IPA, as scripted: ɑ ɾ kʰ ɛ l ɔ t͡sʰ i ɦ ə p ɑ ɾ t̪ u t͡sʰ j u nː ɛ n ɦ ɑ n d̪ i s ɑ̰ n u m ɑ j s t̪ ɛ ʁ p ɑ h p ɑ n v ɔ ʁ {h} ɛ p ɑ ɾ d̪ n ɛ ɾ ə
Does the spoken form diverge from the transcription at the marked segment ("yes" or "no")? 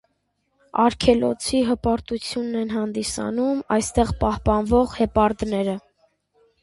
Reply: no